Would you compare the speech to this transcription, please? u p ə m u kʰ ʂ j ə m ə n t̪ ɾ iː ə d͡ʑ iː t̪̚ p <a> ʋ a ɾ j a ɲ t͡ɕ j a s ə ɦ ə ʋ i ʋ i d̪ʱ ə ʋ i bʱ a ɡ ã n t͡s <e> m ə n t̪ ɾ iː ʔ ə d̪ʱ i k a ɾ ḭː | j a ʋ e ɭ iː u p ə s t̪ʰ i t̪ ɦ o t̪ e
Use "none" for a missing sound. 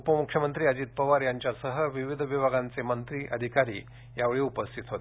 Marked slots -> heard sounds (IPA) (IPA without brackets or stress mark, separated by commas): ə, e